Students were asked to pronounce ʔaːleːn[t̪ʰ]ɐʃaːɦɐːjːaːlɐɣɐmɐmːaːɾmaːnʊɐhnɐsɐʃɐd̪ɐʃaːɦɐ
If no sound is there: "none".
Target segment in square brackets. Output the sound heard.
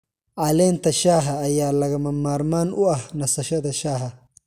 t̪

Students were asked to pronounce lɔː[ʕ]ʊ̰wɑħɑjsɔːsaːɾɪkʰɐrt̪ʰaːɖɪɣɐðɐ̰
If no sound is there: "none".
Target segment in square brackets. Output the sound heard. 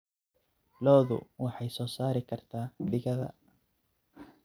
ð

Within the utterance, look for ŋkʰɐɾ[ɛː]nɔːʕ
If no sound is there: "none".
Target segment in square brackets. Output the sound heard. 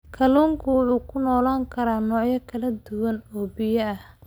aː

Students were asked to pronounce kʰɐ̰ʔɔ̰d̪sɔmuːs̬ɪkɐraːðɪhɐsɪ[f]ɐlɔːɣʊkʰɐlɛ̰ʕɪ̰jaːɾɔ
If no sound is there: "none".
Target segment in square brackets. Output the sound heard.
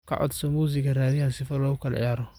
f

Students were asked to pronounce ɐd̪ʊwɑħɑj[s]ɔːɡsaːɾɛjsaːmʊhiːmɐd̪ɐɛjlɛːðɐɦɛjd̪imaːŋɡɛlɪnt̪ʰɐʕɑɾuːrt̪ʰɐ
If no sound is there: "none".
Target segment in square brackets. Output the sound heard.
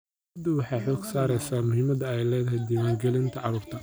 ħ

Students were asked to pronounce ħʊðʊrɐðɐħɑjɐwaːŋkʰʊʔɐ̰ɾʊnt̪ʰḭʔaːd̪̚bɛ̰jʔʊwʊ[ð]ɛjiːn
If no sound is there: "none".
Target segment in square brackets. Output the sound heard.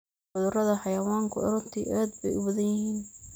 ð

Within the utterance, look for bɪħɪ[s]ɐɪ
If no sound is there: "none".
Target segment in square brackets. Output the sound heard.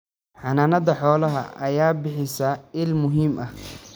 s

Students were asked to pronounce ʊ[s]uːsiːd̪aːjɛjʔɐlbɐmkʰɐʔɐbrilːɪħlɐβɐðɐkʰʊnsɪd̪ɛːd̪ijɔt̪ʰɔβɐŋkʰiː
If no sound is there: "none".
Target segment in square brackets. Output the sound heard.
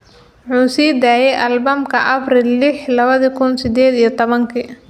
ħ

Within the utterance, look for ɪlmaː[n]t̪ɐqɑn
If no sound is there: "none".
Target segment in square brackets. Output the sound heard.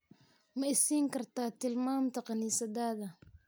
m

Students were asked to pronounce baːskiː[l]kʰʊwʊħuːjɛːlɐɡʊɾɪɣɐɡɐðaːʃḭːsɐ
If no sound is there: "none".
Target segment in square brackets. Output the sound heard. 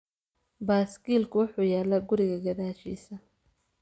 l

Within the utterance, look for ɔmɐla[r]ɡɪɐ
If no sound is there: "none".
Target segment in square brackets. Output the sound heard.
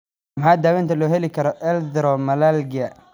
l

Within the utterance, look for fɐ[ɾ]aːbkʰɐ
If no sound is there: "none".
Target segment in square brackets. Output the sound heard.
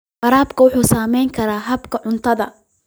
ɾ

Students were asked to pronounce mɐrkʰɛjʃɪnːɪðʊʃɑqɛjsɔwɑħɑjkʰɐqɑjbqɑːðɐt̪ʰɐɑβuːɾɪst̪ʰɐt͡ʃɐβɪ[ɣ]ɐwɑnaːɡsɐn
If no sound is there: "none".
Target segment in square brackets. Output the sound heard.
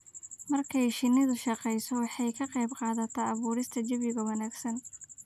ɣ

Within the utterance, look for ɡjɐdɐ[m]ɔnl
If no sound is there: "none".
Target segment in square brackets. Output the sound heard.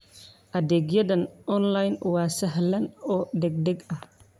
n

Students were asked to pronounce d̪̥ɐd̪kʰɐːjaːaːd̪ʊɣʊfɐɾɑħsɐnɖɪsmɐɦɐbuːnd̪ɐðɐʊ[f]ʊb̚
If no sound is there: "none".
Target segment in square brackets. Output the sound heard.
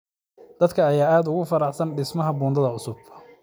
s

